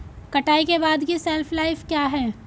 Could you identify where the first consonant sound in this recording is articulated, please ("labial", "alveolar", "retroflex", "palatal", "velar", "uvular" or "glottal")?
velar